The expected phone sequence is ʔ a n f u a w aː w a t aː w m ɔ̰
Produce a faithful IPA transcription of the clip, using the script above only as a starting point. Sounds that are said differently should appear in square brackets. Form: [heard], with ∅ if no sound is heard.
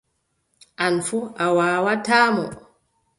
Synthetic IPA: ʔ a n f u a w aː w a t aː [∅] m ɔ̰